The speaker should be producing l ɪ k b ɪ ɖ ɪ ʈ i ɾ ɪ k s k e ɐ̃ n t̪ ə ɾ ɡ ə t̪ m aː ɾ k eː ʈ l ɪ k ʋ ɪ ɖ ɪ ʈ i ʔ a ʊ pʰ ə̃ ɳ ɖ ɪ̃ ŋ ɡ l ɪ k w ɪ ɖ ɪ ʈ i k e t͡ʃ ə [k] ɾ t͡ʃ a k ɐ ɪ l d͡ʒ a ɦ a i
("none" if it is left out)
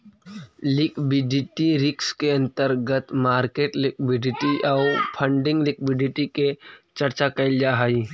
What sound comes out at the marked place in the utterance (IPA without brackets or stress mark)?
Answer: none